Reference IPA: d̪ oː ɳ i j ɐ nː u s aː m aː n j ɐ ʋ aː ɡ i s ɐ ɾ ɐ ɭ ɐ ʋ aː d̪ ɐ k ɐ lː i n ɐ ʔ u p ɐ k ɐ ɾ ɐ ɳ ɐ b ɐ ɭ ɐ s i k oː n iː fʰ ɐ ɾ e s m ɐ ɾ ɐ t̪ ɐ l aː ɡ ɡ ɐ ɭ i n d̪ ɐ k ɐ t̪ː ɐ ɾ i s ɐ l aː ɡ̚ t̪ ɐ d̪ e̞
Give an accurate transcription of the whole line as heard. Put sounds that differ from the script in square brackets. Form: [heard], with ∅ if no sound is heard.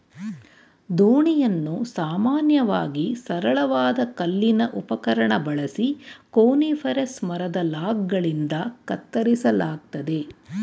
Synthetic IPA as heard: d̪ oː ɳ i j ɐ nː u s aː m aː n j ɐ ʋ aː ɡ i s ɐ ɾ ɐ ɭ ɐ ʋ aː d̪ ɐ k ɐ lː i n ɐ ʔ u p ɐ k ɐ ɾ ɐ ɳ ɐ b ɐ ɭ ɐ s i k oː n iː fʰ ɐ ɾ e s m ɐ ɾ ɐ [d̪] ɐ l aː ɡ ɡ ɐ ɭ i n d̪ ɐ k ɐ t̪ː ɐ ɾ i s ɐ l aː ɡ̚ t̪ ɐ d̪ e̞